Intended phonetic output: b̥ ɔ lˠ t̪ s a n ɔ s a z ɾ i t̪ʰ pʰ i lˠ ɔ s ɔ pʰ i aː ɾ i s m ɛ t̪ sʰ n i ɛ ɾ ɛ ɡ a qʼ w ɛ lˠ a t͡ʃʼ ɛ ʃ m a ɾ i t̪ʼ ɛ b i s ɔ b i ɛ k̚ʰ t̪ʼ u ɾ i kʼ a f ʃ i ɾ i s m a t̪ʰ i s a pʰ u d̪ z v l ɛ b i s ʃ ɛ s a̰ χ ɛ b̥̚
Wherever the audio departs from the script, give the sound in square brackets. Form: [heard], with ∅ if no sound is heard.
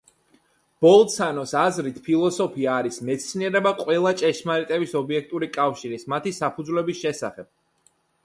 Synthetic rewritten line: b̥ ɔ lˠ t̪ s a n ɔ s a z ɾ i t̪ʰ pʰ i lˠ ɔ s ɔ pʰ i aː ɾ i s m ɛ t̪ sʰ n i ɛ ɾ ɛ [b] a qʼ w ɛ lˠ a t͡ʃʼ ɛ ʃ m a ɾ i t̪ʼ ɛ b i s ɔ b i ɛ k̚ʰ t̪ʼ u ɾ i kʼ a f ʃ i ɾ i s m a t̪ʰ i s a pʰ u d̪ z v l ɛ b i s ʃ ɛ s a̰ χ ɛ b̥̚